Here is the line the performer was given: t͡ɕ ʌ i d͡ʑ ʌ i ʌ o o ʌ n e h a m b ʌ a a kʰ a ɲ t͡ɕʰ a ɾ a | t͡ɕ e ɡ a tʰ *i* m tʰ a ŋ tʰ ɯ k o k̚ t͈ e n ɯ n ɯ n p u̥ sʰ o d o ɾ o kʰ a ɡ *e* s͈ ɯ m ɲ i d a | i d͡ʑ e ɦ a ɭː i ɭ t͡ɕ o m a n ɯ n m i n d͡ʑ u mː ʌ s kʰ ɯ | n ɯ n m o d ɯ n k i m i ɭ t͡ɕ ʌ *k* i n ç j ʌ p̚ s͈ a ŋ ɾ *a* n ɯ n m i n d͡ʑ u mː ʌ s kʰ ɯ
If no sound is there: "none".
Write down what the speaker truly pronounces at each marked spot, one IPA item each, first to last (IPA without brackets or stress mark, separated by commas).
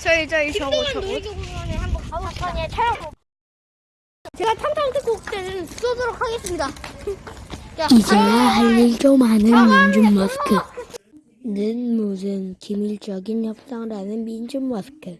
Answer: a, e, ɡ, a